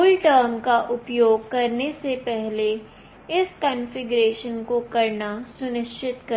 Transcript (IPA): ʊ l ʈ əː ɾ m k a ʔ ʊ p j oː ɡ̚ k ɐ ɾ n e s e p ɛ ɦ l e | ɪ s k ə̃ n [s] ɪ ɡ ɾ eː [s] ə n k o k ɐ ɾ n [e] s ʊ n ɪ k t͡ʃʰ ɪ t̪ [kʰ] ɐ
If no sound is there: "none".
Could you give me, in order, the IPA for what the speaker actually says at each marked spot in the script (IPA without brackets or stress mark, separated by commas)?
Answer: f, ʃ, a, k